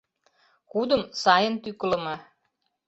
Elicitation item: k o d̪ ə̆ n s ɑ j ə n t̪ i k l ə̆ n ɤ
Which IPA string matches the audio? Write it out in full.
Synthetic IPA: k u d̪ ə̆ m s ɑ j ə n t̪ y k l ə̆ m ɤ

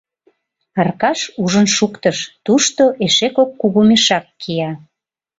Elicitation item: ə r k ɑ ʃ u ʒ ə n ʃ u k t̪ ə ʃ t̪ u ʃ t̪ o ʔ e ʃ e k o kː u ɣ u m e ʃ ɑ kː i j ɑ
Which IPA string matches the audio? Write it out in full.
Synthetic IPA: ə r k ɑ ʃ u ʒ ə n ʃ u k t̪ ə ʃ t̪ u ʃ t̪ o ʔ e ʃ e k o kː u ɣ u m e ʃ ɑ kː i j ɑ

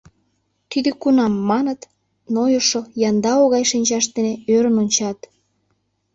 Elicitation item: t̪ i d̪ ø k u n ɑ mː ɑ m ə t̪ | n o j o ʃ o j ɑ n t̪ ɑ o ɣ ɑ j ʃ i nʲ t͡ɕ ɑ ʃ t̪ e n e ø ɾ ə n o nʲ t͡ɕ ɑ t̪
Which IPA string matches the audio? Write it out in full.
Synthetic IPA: t̪ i d̪ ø k u n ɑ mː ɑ n ə t̪ | n o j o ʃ o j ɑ n d̪ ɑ o ɣ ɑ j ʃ i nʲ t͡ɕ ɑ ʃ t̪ e n e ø ɾ ə n o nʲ t͡ɕ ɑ t̪

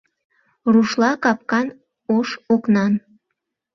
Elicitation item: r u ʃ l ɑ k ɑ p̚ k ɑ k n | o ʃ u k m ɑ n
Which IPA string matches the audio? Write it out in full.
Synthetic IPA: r u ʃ l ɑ k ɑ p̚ k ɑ n | o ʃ o k n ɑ n

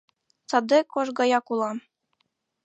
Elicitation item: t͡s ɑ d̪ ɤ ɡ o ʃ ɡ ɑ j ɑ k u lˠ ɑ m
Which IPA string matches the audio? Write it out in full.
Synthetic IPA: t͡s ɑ d̪ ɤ k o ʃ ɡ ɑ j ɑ k u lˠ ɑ m

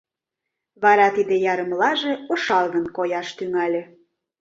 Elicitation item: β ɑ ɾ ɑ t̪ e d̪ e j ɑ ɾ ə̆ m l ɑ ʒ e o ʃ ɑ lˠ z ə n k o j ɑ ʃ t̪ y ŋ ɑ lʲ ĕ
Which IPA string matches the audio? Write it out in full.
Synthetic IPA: β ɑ ɾ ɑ t̪ i d̪ e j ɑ ɾ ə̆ m l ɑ ʒ e o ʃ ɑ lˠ ɣ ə n k o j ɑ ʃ t̪ y ŋ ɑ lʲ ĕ

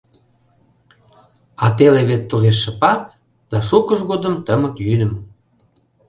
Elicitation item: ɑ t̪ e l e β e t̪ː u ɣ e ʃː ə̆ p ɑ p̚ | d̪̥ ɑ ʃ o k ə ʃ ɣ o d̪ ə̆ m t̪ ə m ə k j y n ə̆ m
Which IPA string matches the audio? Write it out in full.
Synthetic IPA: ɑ t̪ e l e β e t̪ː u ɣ e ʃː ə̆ p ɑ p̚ | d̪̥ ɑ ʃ u k ə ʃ ɣ o d̪ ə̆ m t̪ ə m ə k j y n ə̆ m

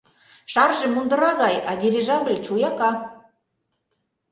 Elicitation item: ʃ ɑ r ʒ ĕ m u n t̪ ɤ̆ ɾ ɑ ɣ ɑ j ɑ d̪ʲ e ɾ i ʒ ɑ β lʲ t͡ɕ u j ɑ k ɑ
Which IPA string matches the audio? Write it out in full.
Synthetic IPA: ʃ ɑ r ʒ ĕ m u n d̪ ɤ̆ ɾ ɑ ɣ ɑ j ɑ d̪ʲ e ɾ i ʒ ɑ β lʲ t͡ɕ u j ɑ k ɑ

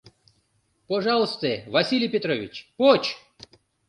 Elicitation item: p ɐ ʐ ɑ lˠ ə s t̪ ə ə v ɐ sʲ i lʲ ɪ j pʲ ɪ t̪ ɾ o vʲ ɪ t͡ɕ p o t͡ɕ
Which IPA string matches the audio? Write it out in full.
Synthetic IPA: p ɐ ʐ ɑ lˠ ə s t̪ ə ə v ɐ sʲ i lʲ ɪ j pʲ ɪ t̪ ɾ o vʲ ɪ t͡ɕ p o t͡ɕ

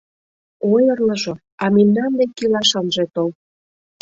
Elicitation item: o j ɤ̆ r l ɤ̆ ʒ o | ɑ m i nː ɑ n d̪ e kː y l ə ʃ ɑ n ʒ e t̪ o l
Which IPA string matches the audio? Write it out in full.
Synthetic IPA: o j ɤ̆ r l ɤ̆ ʒ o | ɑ m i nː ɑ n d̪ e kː i l ɑ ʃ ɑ n ʒ e t̪ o l

